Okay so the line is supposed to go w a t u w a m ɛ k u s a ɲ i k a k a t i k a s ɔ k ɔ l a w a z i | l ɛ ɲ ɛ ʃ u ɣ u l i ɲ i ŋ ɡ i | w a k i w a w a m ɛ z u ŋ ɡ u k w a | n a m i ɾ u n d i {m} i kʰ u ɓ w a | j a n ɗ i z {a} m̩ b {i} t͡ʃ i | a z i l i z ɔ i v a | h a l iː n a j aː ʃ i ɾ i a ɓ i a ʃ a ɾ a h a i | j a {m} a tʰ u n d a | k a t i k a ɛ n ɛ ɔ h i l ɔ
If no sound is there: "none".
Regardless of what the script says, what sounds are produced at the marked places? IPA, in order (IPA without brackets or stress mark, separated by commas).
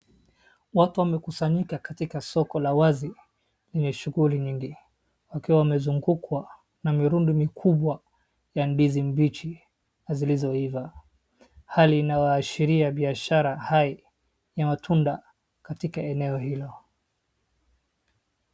m, i, i, m